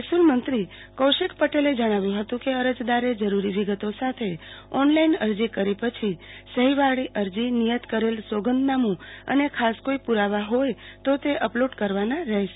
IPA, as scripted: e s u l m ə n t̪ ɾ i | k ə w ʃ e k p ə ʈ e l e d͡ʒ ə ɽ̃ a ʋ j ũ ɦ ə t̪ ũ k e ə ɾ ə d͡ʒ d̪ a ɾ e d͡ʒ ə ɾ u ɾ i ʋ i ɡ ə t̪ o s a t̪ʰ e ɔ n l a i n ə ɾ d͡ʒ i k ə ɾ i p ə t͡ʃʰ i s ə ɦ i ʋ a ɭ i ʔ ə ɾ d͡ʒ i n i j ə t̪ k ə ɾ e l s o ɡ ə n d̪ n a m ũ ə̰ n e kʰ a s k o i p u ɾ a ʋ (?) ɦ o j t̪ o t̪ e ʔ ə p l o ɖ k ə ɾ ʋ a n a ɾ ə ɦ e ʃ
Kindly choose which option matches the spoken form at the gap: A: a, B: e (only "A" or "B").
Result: A